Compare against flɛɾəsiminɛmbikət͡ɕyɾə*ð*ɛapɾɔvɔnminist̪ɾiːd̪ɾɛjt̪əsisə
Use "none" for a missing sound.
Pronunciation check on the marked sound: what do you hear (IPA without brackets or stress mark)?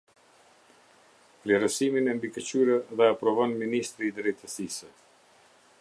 ð